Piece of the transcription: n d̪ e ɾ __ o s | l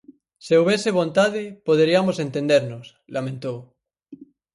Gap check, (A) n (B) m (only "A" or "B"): A